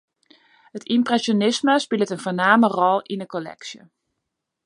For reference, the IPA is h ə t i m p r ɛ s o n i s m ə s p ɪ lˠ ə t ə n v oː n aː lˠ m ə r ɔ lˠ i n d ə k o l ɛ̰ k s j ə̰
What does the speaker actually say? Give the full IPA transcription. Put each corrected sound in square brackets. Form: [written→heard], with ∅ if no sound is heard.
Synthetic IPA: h ə t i m p r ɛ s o n [i→ɪ] s m ə s p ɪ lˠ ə t ə n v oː n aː [lˠ→∅] m ə r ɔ lˠ i n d ə k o l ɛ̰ k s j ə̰